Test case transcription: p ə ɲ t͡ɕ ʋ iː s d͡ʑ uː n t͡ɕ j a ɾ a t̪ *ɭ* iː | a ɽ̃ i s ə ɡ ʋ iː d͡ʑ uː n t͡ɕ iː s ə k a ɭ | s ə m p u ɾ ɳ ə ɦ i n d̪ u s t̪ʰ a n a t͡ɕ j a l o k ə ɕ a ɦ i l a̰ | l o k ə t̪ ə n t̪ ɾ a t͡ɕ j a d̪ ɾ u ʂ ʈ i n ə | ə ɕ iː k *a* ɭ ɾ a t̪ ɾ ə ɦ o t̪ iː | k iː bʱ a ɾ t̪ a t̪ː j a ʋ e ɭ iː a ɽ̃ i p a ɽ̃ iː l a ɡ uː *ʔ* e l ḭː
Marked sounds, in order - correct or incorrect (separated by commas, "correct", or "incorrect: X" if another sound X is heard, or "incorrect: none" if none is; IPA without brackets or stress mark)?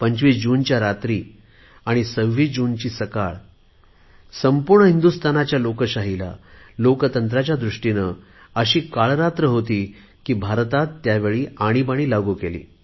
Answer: incorrect: ɾ, correct, incorrect: k